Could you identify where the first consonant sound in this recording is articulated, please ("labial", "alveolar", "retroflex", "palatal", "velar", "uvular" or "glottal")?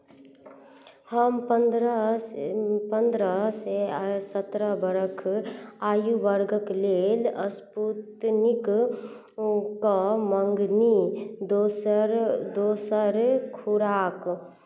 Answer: glottal